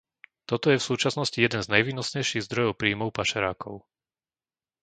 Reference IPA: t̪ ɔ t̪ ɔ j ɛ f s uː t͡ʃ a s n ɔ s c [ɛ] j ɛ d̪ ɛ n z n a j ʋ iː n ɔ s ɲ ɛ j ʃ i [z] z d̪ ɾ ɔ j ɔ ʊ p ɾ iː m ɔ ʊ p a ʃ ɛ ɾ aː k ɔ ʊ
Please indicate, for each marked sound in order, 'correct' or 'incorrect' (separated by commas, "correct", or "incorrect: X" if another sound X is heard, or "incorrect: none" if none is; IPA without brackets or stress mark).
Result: incorrect: i, incorrect: ɣ